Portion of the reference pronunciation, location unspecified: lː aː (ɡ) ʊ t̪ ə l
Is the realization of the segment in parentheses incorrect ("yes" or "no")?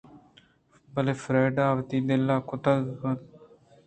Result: yes